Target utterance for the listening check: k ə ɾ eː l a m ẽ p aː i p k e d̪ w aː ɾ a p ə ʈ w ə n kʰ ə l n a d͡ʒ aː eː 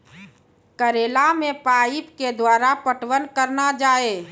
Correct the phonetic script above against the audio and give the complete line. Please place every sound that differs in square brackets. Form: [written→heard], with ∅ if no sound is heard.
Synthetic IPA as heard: k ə ɾ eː l a m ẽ p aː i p k e d̪ w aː ɾ a p ə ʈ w ə n [kʰ→k] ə [l→ɾ] n a d͡ʒ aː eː